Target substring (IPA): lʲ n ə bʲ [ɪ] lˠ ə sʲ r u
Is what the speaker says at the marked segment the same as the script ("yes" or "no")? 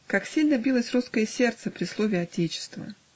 no